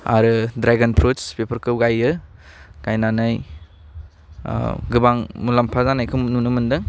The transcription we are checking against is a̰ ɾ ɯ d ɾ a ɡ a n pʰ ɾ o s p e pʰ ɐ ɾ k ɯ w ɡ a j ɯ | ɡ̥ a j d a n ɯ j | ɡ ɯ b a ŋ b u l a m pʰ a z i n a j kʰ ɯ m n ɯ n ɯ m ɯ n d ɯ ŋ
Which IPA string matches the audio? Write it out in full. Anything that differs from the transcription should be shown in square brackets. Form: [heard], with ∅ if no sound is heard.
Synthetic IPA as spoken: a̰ ɾ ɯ d ɾ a ɡ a n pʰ ɾ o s p e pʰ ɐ ɾ k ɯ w ɡ a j ɯ | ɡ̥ a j [n] a n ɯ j | ɡ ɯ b a ŋ [m] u l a m pʰ a z [a] n a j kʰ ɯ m n [u] n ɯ m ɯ n d ɯ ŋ